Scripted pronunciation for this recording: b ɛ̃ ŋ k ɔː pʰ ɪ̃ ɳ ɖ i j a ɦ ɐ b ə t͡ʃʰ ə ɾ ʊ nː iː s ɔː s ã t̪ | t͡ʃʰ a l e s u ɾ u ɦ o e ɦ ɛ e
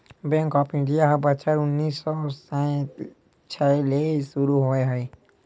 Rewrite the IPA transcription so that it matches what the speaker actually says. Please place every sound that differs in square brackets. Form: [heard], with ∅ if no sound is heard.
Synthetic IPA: b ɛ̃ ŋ k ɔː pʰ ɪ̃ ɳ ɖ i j a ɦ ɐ b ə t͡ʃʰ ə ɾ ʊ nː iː s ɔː s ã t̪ | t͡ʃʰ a l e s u ɾ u ɦ o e ɦ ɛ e